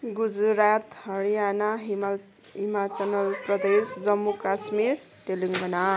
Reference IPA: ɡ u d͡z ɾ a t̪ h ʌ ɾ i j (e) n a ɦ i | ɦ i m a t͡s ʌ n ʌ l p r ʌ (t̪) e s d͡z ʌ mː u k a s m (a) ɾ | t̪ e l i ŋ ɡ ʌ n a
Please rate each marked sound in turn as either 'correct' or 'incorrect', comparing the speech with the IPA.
incorrect, incorrect, incorrect

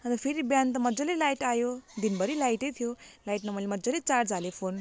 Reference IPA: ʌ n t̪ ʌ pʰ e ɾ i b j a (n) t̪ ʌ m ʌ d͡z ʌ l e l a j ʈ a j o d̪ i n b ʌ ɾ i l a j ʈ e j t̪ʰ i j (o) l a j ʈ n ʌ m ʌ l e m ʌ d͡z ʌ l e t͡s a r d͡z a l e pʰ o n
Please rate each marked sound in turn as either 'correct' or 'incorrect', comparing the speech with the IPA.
correct, correct

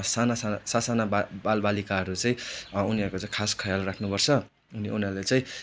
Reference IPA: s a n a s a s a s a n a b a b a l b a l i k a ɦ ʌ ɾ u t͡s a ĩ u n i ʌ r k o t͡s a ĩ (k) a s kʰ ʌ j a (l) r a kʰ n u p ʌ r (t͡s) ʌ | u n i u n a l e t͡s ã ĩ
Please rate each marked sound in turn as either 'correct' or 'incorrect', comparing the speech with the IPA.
incorrect, correct, incorrect

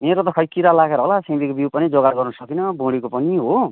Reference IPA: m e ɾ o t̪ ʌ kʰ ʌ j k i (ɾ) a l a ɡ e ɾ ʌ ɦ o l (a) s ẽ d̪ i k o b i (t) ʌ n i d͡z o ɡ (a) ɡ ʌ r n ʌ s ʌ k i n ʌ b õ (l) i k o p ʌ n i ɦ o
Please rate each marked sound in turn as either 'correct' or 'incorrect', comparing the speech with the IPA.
correct, correct, incorrect, correct, incorrect

